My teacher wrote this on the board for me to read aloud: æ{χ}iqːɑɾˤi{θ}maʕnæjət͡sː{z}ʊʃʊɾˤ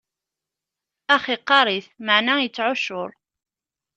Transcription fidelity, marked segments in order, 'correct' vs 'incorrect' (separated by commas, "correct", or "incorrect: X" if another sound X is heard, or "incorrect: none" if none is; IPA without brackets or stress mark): correct, correct, incorrect: ʕ